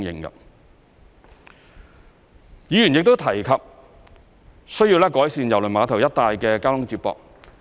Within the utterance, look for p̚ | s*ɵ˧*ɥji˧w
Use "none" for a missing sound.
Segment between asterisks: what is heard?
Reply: ɵ˥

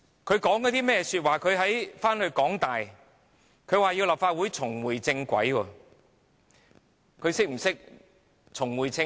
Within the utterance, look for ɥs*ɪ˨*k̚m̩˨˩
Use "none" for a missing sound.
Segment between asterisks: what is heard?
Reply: ɪ˥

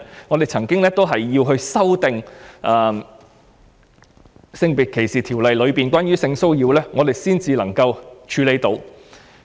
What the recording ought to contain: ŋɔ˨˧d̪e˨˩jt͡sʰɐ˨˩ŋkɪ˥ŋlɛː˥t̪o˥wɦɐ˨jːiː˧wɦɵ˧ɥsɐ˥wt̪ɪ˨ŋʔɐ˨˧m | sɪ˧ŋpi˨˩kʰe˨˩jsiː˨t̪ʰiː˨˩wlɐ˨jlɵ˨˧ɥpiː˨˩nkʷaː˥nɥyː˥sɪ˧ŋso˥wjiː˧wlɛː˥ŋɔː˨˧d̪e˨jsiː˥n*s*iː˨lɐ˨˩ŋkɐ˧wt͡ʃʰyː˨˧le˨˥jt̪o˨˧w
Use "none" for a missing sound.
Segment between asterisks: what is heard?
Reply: t͡s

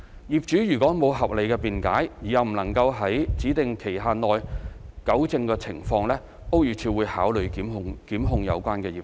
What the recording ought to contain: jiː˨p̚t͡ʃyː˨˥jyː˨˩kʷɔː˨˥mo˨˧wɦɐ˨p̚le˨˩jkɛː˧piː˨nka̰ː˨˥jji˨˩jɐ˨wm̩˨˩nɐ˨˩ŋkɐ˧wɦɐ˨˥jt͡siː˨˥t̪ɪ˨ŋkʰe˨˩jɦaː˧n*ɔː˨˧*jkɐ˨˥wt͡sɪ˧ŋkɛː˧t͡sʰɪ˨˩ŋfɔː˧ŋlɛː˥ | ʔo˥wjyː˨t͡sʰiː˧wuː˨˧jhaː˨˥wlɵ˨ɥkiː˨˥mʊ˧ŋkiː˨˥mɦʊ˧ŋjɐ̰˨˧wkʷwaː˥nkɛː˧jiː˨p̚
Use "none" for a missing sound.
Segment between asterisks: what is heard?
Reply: ɔː˨˧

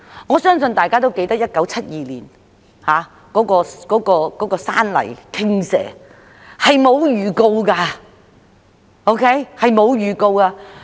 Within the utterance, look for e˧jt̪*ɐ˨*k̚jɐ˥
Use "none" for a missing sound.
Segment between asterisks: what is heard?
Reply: ɐ˥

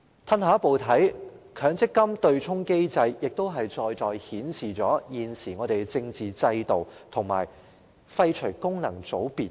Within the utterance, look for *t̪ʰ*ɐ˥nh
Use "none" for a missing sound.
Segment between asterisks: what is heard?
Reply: t̪ʰ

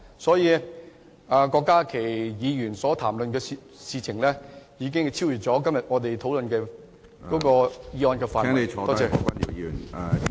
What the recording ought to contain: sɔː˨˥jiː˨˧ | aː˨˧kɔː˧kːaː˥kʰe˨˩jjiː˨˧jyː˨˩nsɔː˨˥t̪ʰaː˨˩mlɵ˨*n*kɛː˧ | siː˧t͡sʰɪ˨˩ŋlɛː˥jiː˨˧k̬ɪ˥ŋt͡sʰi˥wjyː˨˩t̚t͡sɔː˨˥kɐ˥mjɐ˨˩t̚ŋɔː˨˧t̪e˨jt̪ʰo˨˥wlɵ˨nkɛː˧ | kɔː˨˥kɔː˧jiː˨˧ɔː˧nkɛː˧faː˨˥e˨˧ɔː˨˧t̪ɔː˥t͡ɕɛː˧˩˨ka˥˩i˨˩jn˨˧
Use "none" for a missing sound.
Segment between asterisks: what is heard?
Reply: n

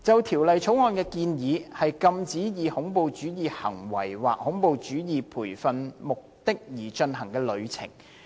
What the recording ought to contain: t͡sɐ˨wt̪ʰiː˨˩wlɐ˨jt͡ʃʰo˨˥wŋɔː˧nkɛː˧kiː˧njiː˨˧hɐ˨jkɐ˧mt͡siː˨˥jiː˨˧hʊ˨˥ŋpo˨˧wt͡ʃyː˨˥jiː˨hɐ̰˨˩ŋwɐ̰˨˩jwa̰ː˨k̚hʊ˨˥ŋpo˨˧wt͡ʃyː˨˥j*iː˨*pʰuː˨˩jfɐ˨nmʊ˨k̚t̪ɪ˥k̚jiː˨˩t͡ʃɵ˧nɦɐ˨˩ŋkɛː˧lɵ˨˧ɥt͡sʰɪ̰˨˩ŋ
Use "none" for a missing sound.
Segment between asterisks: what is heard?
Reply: iː˨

